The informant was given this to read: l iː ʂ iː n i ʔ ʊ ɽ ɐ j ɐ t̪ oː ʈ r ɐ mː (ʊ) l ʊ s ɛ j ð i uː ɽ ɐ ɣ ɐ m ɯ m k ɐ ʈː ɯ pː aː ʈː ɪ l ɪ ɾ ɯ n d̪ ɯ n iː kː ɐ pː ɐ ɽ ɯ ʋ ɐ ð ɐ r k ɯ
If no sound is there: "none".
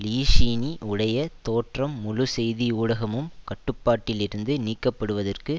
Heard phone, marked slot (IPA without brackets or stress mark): ʊ